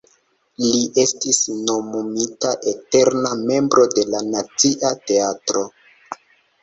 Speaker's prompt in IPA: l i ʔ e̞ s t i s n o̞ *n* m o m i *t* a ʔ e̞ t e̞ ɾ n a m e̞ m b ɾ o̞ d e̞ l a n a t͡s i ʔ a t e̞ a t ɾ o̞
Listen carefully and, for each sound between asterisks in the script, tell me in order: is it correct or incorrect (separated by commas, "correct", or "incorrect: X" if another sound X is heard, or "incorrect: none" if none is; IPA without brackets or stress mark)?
incorrect: none, correct